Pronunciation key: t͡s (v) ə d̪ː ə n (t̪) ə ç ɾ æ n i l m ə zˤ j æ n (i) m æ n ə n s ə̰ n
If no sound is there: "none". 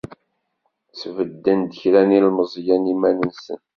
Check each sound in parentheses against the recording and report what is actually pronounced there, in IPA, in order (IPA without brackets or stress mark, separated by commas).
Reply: v, d̪, i